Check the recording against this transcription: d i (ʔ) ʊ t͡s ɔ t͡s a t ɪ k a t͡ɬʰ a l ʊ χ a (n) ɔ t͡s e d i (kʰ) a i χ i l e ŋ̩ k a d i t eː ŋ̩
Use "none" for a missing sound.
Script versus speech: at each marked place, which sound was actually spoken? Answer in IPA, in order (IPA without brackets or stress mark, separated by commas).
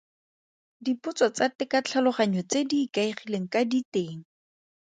p, ɲ, k